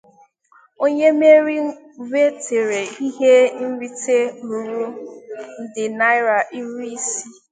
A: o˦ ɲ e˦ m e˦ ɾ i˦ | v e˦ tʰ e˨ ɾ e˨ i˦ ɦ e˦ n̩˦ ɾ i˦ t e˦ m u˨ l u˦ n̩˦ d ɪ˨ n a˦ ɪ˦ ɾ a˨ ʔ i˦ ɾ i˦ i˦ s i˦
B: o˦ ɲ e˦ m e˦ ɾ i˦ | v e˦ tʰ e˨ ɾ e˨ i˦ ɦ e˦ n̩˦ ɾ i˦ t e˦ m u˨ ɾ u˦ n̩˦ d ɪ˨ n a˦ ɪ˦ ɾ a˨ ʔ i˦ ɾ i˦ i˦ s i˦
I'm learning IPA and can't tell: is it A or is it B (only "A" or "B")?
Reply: B